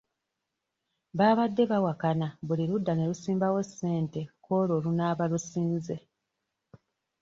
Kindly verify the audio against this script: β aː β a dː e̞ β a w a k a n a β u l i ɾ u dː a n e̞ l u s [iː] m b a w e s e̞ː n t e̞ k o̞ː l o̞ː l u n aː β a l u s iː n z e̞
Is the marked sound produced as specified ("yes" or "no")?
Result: yes